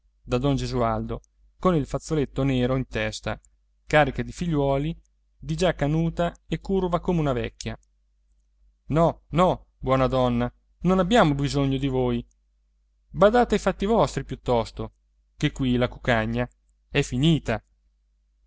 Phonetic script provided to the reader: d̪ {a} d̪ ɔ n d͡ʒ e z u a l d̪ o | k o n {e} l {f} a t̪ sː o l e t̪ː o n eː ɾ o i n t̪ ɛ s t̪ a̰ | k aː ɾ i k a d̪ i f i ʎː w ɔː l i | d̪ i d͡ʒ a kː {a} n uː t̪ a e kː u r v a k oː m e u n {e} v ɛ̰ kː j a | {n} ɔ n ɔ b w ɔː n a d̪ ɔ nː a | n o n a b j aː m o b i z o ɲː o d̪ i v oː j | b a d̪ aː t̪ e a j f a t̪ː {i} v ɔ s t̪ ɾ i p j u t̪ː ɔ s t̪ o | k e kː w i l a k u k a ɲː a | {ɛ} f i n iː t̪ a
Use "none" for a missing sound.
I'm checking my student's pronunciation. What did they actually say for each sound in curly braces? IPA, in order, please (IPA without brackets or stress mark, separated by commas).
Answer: a, i, f, a, a, n, i, ɛ